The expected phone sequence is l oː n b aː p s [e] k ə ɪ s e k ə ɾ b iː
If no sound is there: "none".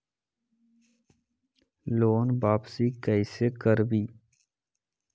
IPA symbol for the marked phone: i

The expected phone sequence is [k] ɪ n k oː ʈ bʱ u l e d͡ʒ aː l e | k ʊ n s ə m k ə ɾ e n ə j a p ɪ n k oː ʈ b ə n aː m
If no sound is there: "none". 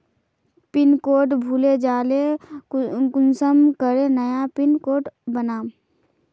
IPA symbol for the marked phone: p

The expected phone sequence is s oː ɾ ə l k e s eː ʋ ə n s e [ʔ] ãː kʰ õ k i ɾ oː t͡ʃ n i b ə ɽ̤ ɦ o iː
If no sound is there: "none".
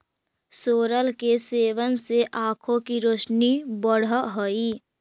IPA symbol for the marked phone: ʔ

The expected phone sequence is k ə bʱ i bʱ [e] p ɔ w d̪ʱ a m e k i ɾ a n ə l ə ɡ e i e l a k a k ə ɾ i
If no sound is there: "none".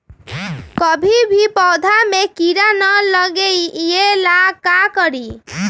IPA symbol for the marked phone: i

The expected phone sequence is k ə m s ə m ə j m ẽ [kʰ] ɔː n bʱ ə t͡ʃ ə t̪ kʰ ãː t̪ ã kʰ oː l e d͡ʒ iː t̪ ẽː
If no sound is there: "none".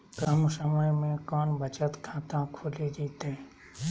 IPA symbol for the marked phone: k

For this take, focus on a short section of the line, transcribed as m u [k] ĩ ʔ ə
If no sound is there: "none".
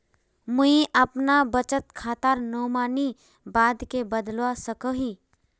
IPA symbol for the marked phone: none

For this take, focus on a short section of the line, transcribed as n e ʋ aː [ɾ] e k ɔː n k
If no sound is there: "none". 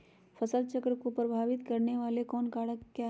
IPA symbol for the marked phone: l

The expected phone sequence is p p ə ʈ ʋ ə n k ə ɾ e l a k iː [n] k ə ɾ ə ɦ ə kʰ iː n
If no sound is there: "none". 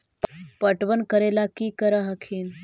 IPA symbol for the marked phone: none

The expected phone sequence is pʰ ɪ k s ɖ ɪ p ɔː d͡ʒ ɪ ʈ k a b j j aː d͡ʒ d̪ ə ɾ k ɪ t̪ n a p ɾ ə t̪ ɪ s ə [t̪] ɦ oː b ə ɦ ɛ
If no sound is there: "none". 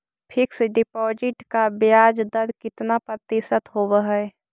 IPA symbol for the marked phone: t̪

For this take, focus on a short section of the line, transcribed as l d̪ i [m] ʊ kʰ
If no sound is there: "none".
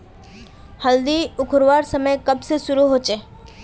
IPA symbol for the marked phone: none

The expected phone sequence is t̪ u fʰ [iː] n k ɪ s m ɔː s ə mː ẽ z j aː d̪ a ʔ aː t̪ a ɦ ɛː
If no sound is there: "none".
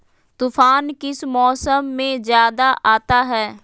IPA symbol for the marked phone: aː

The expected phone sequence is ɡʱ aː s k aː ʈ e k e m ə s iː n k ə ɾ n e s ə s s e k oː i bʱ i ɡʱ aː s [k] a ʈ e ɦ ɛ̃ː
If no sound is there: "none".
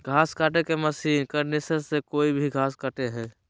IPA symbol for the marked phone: k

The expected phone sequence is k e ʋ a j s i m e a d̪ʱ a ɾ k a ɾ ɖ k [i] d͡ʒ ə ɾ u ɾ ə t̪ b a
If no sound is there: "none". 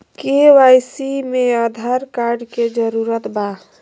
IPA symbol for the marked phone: e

